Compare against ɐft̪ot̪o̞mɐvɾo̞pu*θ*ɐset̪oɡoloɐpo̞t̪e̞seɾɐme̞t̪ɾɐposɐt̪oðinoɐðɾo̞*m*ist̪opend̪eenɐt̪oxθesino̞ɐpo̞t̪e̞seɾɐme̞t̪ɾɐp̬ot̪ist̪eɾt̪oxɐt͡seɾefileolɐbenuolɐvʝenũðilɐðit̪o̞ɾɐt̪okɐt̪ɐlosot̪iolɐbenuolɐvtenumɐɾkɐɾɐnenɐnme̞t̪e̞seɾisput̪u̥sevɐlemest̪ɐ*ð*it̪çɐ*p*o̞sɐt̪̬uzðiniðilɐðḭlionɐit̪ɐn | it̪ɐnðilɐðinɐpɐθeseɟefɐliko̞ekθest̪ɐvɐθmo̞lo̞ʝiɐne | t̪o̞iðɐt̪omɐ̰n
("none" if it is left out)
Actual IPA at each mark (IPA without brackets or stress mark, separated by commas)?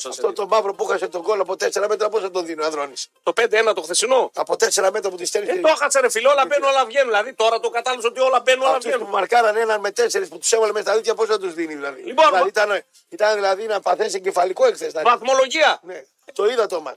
x, n, ð, p